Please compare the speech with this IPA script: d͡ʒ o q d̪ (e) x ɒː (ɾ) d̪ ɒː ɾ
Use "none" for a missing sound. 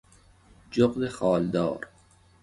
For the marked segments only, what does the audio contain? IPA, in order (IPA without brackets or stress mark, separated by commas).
e, l